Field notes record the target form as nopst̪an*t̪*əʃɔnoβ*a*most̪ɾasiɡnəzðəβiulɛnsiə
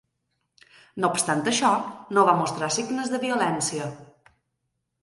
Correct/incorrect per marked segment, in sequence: correct, correct

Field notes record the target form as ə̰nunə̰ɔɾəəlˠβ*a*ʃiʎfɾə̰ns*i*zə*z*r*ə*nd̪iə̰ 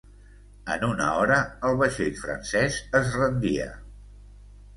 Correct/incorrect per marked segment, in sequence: incorrect: ə, incorrect: ɛ, correct, correct

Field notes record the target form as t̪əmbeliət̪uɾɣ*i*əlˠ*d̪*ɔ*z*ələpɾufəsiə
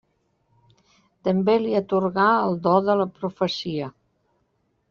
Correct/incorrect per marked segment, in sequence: incorrect: a, correct, incorrect: ð

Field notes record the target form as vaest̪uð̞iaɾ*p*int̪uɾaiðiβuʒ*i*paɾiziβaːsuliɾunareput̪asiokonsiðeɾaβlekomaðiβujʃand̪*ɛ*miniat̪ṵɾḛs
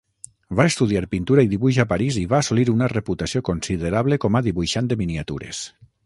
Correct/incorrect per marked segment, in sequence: correct, incorrect: a, incorrect: e

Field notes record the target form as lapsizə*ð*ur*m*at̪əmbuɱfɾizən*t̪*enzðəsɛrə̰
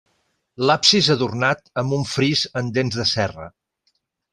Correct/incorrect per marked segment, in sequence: correct, incorrect: n, incorrect: d̪

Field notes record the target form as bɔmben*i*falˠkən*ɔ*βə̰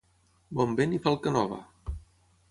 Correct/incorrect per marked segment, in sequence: correct, correct

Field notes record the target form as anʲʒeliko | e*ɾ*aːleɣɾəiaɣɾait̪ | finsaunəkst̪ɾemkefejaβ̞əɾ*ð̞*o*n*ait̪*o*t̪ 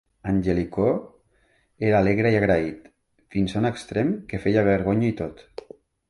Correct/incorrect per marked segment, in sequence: correct, incorrect: ɣ̞, incorrect: ɲ, correct

